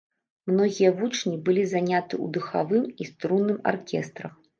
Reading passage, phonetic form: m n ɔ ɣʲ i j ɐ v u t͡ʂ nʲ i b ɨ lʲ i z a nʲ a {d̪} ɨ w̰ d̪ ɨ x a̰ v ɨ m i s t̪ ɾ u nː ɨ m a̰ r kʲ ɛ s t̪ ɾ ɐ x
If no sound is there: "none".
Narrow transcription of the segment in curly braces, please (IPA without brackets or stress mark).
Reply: t̪